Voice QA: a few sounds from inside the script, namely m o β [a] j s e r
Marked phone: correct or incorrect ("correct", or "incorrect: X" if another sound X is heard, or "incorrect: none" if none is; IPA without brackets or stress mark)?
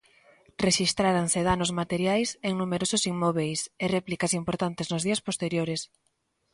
incorrect: e